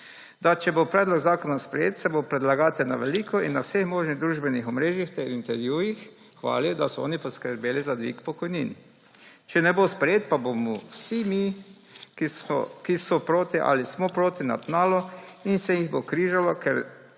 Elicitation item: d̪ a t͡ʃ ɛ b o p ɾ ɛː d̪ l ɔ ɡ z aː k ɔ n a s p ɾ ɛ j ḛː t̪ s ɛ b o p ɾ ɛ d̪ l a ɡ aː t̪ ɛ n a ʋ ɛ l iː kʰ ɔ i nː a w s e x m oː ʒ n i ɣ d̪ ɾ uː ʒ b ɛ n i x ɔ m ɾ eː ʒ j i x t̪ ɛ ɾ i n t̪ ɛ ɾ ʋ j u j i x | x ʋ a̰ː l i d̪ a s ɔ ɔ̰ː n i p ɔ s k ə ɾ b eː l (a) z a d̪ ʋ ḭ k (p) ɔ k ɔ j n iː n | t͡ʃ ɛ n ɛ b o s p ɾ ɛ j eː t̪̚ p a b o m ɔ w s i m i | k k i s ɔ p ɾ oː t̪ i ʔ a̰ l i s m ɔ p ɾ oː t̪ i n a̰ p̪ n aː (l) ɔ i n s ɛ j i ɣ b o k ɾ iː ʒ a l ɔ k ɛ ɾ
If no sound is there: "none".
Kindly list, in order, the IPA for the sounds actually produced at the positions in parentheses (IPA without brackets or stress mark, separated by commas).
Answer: i, p, l